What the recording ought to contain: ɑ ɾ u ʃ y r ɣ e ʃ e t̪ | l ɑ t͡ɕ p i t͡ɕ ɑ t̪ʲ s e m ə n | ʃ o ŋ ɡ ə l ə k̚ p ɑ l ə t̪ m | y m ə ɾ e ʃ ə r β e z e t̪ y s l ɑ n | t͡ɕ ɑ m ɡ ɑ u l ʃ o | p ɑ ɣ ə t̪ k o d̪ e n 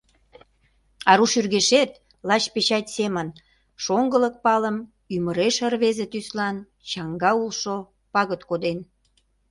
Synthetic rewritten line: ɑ ɾ u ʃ y r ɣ e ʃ e t̪ | l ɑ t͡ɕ p e t͡ɕ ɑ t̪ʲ s e m ə n | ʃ o ŋ ɡ ə l ə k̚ p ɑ l ə m | y m ə ɾ e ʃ ə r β e z e t̪ y s l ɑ n | t͡ɕ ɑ ŋ ɡ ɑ u l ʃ o | p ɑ ɣ ə t̪ k o d̪ e n

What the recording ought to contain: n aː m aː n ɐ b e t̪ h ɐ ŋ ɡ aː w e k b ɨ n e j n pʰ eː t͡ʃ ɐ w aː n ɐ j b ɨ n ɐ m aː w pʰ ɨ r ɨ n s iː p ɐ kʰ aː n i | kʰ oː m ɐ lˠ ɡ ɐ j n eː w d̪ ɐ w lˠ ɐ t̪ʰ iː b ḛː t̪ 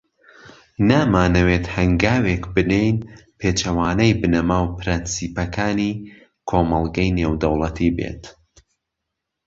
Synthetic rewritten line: n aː m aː n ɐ w e t̪ h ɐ ŋ ɡ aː w e k b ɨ n e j n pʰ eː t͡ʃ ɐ w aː n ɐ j b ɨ n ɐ m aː w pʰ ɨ ɾ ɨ n s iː p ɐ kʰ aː n i | kʰ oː m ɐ lˠ ɡ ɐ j n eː w d̪ ɐ w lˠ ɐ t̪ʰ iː b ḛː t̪

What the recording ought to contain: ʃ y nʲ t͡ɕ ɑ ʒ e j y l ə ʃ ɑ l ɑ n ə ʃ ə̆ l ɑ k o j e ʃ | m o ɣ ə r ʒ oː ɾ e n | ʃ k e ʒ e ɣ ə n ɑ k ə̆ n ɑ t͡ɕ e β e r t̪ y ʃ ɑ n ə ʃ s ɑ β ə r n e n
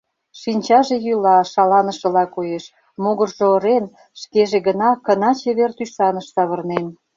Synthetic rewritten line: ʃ i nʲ t͡ɕ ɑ ʒ e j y l ɑ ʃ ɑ l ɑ n ə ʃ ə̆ l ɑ k o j e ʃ | m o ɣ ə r ʒ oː ɾ e n | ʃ k e ʒ e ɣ ə n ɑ k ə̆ n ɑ t͡ɕ e β e r t̪ y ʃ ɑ n ə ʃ s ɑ β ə r n e n

